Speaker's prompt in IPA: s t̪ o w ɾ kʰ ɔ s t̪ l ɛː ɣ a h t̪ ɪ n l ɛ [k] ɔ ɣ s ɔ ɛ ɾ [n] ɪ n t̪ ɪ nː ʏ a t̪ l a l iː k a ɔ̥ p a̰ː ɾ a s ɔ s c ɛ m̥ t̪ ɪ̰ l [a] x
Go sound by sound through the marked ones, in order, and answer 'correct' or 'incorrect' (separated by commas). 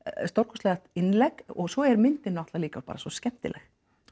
correct, incorrect, incorrect